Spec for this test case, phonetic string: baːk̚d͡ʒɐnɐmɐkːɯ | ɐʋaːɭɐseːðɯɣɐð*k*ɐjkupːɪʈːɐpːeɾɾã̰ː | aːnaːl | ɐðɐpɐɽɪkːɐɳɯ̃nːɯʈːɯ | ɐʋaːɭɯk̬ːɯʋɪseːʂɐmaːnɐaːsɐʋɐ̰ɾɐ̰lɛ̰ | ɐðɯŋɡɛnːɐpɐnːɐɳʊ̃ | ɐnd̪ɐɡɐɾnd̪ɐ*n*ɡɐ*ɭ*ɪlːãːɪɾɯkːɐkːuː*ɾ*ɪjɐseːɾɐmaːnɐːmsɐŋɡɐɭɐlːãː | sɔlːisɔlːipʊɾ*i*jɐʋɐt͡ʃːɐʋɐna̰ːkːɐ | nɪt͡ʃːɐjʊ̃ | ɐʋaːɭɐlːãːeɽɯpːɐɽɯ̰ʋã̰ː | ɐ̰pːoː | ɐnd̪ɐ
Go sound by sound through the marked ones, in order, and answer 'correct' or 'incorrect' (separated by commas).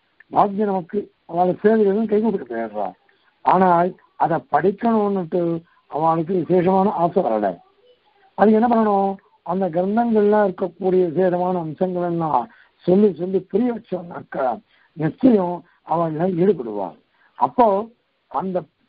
correct, incorrect, correct, incorrect, incorrect